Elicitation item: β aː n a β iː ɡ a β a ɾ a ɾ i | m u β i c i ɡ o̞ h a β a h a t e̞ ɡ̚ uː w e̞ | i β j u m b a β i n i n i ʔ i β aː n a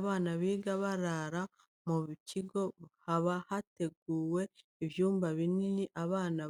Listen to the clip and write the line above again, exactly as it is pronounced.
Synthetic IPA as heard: β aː n a β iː ɡ a β a ɾ a ɾ a | m u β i c i ɡ o̞ h a β a h a t e̞ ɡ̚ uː w e̞ | i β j uː m b a β i n i n i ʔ a β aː n a